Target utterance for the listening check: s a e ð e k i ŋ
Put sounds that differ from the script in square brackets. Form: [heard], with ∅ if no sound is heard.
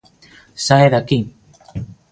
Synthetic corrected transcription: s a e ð [a] k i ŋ